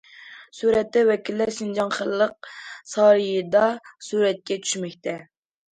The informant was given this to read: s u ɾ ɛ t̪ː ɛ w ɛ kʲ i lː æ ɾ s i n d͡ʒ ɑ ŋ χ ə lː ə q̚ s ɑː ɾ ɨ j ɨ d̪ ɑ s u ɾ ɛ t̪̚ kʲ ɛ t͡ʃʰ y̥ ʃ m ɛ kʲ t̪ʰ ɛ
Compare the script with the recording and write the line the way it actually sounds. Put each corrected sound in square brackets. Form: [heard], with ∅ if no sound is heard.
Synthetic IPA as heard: s u ɾ ɛ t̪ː ɛ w ɛ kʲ i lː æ ɾ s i n d͡ʒ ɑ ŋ χ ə lː ə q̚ s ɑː ɾ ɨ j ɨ d̪ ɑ s u ɾ ɛ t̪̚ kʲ ɛ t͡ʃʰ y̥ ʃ m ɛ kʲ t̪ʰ ɛ